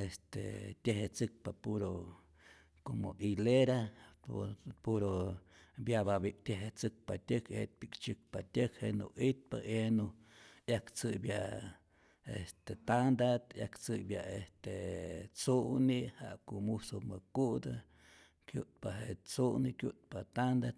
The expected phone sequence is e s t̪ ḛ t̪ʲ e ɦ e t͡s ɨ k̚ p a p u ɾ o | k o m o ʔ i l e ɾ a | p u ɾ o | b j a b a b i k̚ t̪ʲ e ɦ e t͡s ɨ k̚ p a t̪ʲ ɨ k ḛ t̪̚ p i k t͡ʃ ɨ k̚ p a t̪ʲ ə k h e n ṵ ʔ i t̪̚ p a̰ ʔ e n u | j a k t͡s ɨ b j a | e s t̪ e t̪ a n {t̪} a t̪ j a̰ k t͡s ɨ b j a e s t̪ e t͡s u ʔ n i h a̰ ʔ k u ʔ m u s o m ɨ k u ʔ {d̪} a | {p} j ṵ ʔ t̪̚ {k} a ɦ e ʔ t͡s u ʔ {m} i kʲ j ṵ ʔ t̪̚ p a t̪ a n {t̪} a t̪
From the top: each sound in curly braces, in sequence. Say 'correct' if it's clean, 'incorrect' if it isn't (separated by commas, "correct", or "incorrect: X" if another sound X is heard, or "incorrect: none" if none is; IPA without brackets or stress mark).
incorrect: d̪, correct, incorrect: k, incorrect: p, incorrect: n, incorrect: d̪